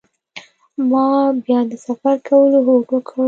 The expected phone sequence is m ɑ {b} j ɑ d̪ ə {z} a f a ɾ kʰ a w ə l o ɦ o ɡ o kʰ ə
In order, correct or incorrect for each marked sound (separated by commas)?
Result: correct, incorrect